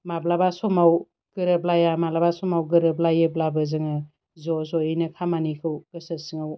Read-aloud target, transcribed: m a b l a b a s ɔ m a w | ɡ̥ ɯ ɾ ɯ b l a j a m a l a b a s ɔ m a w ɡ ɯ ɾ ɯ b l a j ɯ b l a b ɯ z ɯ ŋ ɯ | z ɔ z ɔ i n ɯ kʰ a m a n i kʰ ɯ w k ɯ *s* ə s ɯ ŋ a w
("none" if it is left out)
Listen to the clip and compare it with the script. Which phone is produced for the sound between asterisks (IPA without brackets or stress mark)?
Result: s